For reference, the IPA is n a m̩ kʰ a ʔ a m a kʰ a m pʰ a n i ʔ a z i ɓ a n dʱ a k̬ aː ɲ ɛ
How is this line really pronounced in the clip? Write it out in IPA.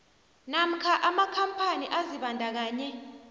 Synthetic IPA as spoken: n a m̩ kʰ a ʔ a m a kʰ a m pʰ a n i ʔ a z i ɓ a n dʱ a k̬ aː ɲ ɛ